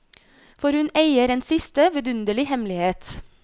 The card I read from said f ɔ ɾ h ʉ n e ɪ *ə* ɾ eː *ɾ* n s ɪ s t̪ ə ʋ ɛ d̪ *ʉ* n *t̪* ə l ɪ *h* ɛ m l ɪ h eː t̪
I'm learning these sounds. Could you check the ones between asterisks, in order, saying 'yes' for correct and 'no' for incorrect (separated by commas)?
yes, no, yes, no, yes